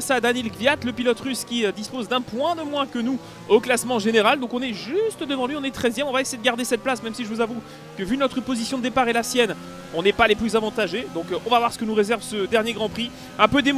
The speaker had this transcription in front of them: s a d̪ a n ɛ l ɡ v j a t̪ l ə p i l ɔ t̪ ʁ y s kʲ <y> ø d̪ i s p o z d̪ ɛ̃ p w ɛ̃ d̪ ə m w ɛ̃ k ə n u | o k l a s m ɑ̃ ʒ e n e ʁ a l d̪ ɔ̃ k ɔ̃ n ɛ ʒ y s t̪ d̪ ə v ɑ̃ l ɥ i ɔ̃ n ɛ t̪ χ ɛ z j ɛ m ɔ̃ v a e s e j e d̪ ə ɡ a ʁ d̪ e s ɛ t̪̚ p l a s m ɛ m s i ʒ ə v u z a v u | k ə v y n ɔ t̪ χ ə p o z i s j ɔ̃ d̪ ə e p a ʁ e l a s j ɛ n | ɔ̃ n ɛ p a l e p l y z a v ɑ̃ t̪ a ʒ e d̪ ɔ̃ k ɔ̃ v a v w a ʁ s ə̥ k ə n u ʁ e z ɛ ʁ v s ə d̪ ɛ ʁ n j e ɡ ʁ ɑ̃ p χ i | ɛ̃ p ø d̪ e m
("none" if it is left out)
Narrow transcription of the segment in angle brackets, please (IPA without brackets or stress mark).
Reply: i